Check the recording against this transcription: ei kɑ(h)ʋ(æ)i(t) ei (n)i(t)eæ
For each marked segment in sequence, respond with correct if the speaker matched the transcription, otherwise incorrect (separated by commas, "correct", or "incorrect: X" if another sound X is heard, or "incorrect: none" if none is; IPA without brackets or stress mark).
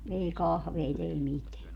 correct, incorrect: e, correct, incorrect: m, correct